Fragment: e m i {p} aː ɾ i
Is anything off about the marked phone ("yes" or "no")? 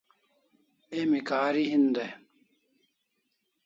yes